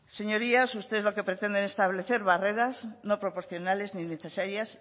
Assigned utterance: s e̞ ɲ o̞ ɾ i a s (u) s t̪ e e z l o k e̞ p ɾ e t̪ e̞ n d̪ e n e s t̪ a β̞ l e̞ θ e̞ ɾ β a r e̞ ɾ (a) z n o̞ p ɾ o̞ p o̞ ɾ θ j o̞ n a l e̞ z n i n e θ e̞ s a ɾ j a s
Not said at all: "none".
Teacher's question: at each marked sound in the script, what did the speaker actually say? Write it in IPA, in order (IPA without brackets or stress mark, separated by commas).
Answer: u, a